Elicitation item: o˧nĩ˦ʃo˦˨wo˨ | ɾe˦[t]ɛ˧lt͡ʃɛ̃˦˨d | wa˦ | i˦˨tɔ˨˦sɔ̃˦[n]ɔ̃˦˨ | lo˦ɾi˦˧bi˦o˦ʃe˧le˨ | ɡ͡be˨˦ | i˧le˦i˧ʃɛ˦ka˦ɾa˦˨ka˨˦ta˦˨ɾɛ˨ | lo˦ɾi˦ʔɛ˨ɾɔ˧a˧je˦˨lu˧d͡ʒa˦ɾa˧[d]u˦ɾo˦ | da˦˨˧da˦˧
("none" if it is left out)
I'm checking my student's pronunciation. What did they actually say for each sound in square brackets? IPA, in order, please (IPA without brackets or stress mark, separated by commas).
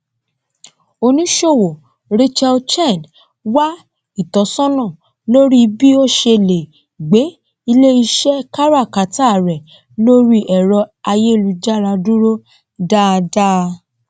t͡ʃ, n, d